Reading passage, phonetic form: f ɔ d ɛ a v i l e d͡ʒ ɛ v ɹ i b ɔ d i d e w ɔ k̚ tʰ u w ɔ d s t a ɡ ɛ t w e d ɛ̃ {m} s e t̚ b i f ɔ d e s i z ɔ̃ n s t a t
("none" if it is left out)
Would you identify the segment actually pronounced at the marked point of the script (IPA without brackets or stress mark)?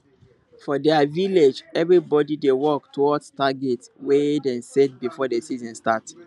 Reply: n